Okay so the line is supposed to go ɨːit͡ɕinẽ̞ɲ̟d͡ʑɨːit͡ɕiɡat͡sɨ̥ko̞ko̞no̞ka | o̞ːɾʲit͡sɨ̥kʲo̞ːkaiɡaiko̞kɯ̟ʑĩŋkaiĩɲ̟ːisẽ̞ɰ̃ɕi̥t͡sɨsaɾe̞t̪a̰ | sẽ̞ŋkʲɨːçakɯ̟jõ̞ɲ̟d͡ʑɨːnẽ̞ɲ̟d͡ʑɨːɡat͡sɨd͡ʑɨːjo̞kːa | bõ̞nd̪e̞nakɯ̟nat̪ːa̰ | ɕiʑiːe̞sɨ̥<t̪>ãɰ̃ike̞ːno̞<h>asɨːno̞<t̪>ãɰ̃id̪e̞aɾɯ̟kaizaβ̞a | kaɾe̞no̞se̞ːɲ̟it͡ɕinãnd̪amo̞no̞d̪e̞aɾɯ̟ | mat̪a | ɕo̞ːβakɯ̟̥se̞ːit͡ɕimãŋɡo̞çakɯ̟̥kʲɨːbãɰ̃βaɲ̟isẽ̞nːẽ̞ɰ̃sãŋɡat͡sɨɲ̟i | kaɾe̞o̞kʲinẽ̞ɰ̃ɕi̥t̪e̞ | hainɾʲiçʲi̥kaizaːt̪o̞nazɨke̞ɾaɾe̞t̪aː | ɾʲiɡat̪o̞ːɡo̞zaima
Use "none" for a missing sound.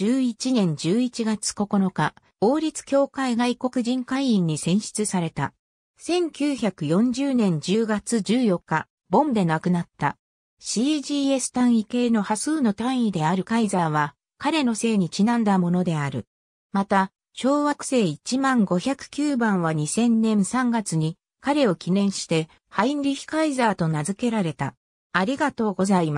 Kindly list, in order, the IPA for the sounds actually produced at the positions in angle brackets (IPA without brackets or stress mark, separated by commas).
t̪, h, t̪